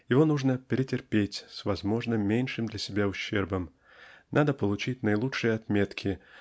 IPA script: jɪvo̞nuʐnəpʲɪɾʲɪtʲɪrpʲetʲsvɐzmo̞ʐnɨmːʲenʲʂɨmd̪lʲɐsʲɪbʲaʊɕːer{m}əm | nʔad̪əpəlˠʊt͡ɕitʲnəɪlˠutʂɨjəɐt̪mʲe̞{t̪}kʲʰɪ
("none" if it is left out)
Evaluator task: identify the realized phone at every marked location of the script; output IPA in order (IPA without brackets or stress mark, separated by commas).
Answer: b, t̪